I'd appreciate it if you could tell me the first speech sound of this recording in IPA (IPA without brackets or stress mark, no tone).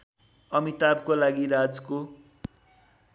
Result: ʌ